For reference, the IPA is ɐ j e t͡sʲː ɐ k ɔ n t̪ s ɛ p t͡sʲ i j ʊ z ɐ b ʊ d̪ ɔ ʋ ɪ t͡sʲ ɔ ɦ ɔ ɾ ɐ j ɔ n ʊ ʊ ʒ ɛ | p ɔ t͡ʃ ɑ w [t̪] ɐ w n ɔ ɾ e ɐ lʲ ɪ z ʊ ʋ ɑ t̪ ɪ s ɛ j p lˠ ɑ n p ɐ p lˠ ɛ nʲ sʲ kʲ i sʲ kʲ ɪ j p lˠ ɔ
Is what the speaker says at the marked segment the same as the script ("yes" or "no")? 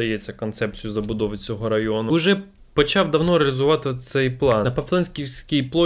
no